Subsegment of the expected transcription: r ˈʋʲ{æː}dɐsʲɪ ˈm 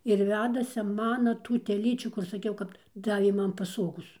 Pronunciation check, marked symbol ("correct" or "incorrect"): correct